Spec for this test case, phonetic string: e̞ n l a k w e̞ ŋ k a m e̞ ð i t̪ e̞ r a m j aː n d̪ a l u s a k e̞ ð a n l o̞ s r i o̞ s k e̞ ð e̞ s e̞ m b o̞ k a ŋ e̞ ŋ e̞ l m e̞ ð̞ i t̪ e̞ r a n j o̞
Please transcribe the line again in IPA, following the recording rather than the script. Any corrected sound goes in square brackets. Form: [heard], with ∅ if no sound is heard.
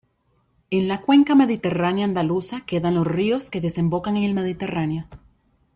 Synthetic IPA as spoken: e̞ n l a k w e̞ ŋ k a m e̞ ð i t̪ e̞ r a [n] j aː n d̪ a l u s a k e̞ ð a n l o̞ s r i o̞ s k e̞ ð e̞ s e̞ m b o̞ k a ŋ e̞ ŋ e̞ l m e̞ ð̞ i t̪ e̞ r a n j o̞